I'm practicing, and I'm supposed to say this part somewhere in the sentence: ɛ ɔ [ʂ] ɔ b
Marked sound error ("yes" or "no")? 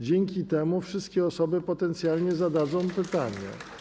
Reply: yes